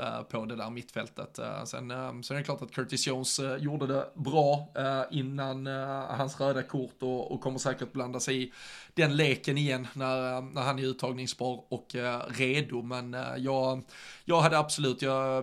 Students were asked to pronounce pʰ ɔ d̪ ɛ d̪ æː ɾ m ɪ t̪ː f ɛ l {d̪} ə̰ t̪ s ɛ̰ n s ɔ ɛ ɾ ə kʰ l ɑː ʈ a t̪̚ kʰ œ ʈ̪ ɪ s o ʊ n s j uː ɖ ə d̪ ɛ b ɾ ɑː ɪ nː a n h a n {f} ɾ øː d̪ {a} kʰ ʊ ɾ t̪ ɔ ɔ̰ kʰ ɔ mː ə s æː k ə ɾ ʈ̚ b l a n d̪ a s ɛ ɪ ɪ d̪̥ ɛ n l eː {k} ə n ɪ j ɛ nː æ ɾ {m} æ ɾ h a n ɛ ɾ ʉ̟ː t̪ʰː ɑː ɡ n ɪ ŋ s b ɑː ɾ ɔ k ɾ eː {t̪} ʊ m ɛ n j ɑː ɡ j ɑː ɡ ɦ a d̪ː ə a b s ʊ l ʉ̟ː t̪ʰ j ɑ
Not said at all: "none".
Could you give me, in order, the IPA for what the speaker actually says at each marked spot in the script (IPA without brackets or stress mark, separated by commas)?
t̪, s, a, k, n, d̪